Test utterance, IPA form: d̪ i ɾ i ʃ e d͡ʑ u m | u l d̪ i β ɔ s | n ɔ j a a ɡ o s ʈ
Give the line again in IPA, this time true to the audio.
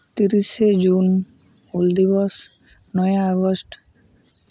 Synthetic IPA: t̪ i ɾ i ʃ e d͡ʑ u n | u l d̪ i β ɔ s | n ɔ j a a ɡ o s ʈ